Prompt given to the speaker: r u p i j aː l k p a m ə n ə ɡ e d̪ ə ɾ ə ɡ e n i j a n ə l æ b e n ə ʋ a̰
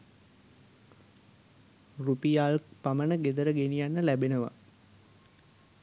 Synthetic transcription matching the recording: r u p i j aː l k p a m ə n ə ɡ e d̪ ə ɾ ə ɡ e n i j a nː ə l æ b e n ə ʋ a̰